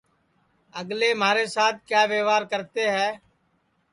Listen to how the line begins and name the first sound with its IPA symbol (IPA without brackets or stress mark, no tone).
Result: ə